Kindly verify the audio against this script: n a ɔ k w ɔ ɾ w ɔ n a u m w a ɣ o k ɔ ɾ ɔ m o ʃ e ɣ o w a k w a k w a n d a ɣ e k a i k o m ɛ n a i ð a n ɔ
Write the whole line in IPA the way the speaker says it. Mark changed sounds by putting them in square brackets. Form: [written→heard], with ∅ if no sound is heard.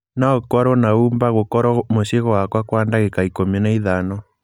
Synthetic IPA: n a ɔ k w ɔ ɾ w ɔ n a u m [w→b] a ɣ o k ɔ ɾ ɔ m o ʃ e ɣ [o→ɔ] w a k w a k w a n d a ɣ e k a i k o m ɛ n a i ð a n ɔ